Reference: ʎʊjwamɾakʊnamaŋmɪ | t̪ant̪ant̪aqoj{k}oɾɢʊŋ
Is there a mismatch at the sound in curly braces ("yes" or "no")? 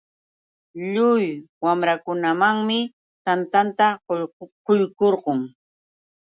no